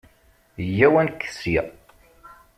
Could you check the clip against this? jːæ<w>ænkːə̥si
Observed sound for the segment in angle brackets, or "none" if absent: w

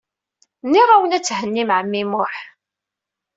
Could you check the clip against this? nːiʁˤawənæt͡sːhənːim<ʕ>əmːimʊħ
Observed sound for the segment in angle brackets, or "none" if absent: ʕ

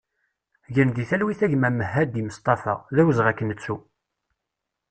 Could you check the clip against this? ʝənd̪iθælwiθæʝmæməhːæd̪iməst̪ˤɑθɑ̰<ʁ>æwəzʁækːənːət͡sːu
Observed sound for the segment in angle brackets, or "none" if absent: ð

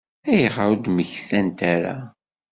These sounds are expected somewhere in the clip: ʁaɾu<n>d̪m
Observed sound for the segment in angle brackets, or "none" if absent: none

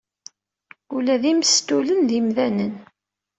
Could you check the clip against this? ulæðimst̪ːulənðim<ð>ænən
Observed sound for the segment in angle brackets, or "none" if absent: ð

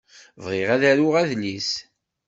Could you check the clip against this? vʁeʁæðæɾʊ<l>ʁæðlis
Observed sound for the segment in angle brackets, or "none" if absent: none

